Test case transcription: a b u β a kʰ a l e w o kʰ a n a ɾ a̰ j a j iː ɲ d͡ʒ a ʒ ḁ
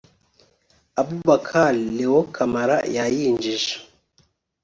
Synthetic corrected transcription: a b u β a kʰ a l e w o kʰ a m a ɾ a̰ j a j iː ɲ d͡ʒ i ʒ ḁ